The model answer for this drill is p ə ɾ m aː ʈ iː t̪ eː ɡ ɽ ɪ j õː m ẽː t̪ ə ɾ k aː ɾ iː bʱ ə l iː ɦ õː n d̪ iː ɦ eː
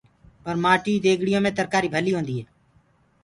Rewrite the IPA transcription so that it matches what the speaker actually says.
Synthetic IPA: p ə ɾ m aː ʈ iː d̪ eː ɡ ɽ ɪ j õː m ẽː t̪ ə ɾ k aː ɾ iː bʱ ə l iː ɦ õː n d̪ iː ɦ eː

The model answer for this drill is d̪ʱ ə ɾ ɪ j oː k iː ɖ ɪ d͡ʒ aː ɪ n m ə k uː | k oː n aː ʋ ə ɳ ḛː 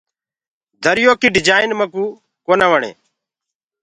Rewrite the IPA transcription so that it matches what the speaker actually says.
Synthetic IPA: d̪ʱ ə ɾ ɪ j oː k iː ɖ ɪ d͡ʒ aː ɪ n m ə k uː | k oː n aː ʋ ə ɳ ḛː

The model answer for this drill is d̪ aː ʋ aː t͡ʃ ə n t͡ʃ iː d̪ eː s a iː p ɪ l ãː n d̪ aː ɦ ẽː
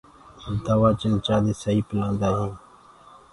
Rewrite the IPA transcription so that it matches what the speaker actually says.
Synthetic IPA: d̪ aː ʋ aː t͡ʃ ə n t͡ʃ aː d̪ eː s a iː p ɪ l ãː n d̪ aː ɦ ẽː

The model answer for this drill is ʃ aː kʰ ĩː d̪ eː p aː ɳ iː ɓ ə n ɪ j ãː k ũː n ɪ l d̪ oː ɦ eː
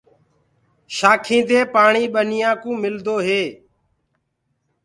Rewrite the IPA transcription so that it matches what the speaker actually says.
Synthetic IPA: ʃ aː kʰ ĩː d̪ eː p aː ɳ iː ɓ ə n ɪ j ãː k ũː m ɪ l d̪ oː ɦ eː

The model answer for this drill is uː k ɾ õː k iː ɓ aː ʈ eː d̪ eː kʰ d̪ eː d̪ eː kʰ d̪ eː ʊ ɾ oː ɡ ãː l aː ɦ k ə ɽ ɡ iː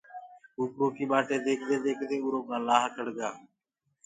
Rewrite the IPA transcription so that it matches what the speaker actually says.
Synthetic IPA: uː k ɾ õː k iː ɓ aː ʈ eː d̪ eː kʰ d̪ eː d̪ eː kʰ d̪ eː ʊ ɾ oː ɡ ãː l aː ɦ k ə ɽ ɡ aː

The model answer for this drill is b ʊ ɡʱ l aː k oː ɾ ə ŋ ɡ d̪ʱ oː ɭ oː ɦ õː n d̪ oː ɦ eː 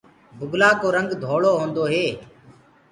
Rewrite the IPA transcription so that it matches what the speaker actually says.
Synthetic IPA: b ʊ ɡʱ l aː k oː ɾ ə ŋ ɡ d̪ʱ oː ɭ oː ɦ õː n d̪ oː ɦ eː

